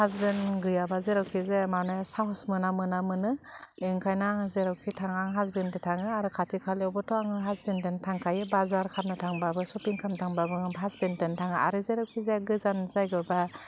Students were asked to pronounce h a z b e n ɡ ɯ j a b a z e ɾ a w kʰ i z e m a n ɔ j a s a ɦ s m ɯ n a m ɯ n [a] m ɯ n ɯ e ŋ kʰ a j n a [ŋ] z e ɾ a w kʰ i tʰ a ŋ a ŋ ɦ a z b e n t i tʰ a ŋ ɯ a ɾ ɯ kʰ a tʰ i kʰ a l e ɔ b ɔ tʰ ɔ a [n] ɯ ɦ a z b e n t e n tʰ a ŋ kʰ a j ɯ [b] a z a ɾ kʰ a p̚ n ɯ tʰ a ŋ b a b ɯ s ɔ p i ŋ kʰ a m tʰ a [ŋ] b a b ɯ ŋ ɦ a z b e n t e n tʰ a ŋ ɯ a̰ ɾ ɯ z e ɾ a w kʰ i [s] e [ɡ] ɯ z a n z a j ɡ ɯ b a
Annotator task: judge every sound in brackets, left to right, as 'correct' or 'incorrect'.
correct, correct, incorrect, correct, correct, incorrect, correct

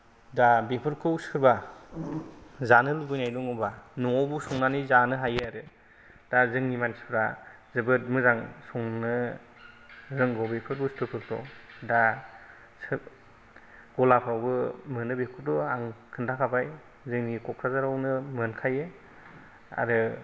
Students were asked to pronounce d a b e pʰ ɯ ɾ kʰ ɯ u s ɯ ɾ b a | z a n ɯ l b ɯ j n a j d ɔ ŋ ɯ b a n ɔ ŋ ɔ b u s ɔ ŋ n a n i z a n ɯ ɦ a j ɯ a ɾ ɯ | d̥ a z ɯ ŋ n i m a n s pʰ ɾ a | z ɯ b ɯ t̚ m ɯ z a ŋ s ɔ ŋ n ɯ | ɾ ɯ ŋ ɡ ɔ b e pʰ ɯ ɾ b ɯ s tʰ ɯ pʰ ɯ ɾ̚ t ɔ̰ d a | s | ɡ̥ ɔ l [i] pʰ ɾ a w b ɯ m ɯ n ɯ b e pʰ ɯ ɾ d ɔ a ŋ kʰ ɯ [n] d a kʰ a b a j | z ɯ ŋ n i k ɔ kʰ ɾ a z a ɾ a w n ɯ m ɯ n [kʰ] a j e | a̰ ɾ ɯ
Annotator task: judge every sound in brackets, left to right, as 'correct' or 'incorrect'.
incorrect, correct, correct

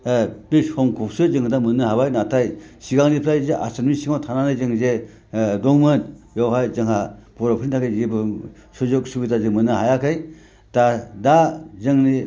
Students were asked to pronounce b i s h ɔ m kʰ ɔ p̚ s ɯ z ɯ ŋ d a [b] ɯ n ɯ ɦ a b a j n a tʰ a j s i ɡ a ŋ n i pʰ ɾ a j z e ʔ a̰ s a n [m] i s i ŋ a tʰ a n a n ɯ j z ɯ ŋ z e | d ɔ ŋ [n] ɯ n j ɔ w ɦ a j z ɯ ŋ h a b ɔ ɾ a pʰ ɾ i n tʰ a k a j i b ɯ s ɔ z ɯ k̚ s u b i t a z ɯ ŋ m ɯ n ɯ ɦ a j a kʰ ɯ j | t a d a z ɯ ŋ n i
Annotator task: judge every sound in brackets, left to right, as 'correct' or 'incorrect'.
incorrect, correct, incorrect

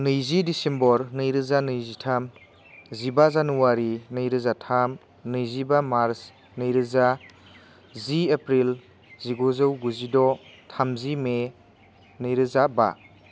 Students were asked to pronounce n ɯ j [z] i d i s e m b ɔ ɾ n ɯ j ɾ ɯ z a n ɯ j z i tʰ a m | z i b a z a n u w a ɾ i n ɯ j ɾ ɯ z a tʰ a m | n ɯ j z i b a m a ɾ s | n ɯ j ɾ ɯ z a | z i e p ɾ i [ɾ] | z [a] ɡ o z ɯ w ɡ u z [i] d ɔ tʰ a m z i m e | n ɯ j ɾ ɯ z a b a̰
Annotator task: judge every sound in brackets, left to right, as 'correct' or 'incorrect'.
correct, incorrect, incorrect, correct

